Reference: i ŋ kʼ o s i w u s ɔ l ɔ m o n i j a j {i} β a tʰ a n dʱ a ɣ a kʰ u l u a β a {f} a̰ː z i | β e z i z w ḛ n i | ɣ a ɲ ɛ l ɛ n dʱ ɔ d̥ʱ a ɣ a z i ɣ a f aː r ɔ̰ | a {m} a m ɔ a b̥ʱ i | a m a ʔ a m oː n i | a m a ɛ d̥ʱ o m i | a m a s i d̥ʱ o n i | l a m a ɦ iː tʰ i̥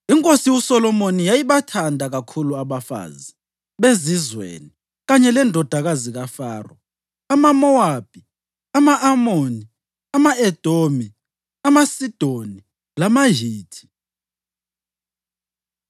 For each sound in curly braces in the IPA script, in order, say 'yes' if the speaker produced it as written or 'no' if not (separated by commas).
yes, yes, yes